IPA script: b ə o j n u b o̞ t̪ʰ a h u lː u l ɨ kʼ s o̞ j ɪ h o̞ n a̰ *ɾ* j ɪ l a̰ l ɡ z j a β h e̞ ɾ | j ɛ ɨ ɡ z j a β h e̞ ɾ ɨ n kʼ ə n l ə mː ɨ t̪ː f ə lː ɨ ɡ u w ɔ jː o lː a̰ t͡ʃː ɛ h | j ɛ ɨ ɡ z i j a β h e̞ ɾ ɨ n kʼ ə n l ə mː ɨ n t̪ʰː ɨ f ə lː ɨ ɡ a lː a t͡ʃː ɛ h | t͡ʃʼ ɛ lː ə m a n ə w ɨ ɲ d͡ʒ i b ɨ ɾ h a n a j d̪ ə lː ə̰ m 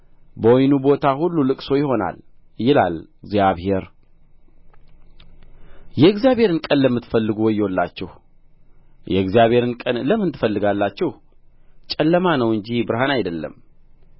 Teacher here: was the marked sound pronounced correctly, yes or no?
no